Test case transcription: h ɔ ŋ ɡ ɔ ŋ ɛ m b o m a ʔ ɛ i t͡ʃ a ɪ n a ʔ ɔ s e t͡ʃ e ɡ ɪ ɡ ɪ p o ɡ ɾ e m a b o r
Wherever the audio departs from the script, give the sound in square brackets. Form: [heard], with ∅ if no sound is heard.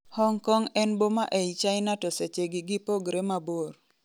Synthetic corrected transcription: h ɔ ŋ [k] ɔ ŋ ɛ [n] b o m a ʔ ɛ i t͡ʃ a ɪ n a [t] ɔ s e t͡ʃ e ɡ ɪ ɡ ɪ p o ɡ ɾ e m a b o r